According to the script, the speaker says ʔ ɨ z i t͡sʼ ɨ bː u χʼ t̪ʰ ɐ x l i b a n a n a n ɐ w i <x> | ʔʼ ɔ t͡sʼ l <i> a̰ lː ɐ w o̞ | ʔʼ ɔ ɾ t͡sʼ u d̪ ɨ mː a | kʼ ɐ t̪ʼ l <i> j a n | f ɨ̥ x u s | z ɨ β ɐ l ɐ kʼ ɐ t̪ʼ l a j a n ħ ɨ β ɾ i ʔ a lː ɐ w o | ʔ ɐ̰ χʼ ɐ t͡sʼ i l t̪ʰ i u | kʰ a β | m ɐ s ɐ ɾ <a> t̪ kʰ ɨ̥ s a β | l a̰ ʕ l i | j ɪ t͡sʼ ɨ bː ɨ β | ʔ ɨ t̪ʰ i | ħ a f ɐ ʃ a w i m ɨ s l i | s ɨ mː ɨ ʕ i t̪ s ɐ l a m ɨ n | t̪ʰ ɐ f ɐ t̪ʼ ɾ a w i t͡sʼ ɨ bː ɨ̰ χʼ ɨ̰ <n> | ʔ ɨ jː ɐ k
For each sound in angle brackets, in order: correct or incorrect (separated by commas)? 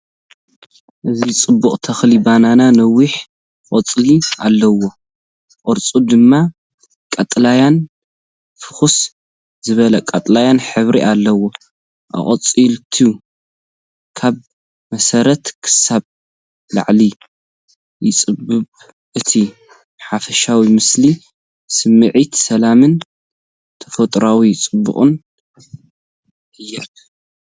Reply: incorrect, correct, incorrect, incorrect, correct